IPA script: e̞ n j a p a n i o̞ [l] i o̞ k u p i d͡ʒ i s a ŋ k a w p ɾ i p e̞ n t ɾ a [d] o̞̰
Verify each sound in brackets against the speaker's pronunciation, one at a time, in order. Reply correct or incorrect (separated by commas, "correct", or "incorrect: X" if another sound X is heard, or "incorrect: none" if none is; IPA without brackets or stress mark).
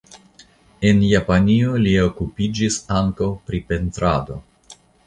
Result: correct, correct